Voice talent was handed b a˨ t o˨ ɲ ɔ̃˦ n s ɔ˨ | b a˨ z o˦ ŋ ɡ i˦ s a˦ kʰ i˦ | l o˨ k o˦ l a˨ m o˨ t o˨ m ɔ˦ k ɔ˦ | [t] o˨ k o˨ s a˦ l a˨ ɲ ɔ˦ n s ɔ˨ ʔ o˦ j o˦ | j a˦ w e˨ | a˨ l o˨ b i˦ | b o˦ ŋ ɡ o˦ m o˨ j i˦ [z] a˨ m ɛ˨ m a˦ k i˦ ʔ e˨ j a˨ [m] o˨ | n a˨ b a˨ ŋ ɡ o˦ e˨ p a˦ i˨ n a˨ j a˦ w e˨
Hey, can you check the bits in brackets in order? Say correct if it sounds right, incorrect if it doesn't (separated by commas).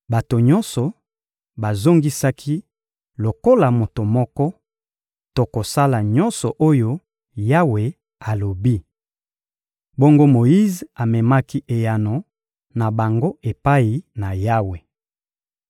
correct, correct, incorrect